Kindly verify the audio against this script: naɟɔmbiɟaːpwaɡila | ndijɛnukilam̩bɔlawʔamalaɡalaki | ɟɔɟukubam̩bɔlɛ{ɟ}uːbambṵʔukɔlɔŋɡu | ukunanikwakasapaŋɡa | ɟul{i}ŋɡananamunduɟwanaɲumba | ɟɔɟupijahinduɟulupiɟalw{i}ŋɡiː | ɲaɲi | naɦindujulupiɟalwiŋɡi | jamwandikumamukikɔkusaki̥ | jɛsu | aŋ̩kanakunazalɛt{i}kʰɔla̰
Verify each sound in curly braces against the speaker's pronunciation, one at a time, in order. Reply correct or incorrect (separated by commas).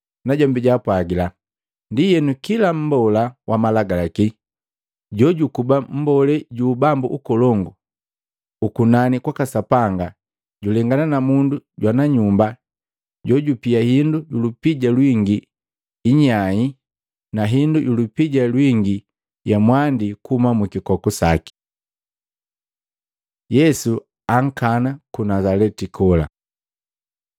correct, incorrect, correct, correct